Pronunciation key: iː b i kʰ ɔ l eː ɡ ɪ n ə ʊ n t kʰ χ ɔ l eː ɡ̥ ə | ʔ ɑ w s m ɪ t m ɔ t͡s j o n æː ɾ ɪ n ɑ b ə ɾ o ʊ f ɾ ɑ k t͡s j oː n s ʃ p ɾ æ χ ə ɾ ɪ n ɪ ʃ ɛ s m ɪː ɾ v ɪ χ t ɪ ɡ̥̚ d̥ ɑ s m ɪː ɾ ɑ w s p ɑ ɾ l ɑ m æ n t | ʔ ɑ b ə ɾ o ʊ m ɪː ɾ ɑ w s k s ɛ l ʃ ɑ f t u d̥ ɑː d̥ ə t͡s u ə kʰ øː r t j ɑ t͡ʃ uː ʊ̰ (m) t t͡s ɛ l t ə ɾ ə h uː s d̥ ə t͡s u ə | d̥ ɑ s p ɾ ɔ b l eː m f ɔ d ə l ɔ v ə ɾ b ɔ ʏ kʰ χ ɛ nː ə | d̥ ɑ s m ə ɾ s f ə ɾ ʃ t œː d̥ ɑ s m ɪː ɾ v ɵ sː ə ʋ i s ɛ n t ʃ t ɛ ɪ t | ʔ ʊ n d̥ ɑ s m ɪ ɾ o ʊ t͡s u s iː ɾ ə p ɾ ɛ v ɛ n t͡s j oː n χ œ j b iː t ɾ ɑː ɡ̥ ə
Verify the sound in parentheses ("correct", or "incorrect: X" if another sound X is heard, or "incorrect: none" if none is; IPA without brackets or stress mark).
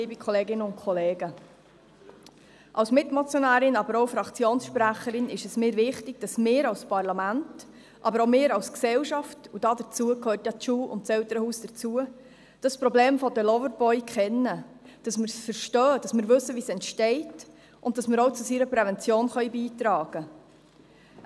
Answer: incorrect: n